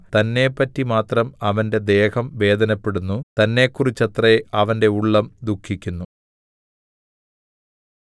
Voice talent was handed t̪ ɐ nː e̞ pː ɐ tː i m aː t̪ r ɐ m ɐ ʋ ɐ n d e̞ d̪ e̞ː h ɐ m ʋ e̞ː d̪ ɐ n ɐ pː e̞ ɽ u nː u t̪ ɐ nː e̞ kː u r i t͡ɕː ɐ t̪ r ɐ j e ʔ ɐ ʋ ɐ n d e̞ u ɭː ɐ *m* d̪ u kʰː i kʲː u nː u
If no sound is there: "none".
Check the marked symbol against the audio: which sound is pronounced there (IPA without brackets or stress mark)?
m